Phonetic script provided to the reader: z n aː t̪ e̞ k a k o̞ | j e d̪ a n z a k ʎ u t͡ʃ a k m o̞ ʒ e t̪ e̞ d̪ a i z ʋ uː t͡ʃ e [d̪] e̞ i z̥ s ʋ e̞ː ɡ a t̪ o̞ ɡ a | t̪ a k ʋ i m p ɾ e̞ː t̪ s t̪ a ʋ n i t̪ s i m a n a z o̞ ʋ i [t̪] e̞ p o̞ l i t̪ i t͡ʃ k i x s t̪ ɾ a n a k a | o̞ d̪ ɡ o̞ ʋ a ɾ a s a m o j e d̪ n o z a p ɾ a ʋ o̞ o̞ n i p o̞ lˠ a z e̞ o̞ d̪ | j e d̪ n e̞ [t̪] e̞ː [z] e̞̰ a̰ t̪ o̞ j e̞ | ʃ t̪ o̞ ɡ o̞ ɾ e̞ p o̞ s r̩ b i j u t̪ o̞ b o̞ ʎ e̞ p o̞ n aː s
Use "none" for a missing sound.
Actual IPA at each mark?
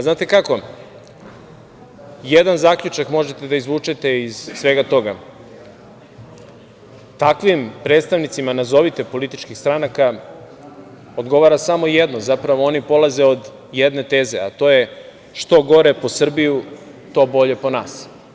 t̪, t̪, t̪, z

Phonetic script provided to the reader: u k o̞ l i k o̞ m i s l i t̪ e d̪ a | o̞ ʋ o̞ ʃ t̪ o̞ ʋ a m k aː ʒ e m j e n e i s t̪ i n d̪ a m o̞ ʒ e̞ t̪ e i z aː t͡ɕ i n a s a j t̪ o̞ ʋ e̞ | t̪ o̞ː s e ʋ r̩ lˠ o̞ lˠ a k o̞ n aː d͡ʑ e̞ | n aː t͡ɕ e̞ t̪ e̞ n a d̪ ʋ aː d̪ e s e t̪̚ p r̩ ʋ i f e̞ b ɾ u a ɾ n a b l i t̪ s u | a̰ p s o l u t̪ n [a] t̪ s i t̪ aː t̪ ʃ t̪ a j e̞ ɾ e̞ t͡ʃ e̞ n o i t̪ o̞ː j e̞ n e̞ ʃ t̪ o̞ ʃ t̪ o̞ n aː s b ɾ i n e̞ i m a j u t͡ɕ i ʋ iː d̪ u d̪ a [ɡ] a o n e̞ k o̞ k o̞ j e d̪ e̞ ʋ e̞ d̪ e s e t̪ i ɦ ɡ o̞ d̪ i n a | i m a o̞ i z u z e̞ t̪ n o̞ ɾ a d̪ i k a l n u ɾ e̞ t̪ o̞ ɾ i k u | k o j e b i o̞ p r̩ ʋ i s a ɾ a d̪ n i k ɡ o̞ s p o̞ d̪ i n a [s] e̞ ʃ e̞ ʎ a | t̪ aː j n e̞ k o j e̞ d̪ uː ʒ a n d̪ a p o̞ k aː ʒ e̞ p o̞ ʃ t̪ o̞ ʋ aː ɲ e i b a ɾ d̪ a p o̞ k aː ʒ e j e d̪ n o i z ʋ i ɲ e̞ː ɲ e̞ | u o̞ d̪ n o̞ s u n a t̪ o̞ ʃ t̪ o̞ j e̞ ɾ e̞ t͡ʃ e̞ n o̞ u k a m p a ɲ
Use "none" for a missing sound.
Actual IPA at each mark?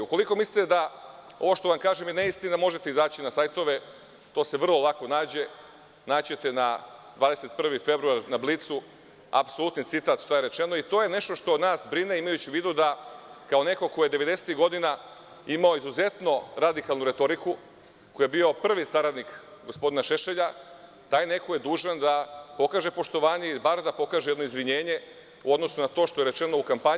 i, k, ʃ

